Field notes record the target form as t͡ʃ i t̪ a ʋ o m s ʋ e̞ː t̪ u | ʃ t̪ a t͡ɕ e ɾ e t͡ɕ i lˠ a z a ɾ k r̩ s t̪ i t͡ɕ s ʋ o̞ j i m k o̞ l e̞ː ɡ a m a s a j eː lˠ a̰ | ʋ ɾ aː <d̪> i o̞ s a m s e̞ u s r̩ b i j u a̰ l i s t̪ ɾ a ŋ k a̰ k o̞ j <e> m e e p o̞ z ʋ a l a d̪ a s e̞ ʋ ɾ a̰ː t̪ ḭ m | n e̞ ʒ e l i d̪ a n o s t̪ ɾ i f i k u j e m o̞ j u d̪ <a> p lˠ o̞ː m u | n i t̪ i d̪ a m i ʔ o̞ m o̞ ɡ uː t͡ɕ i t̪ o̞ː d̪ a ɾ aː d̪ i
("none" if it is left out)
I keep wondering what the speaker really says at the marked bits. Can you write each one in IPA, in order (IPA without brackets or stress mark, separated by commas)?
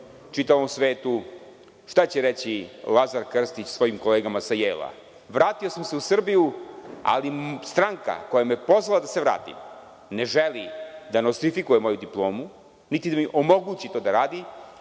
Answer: t̪, a, i